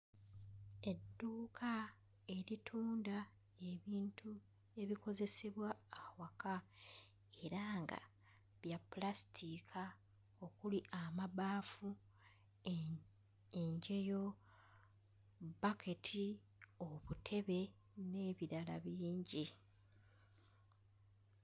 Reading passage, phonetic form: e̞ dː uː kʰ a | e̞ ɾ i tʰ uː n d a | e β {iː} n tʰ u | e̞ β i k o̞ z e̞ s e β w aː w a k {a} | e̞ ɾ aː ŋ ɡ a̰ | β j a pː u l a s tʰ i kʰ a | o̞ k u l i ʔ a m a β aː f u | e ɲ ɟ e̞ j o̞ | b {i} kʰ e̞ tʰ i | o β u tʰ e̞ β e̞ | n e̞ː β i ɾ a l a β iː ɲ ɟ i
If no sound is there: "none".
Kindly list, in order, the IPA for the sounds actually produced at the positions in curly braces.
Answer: iː, a, a

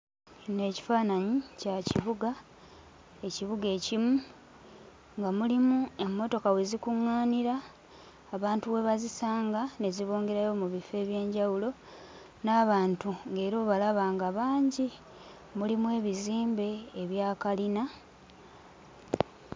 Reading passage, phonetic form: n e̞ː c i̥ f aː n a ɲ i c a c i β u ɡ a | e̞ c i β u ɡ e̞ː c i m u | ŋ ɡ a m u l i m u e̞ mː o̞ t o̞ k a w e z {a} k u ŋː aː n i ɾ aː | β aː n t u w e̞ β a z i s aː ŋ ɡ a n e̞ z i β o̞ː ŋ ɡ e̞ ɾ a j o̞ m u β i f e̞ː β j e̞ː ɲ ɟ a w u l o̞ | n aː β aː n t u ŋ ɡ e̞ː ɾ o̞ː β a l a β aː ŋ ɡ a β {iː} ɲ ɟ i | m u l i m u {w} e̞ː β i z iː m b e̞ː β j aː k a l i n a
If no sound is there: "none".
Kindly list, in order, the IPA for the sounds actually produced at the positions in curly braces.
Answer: i, aː, w

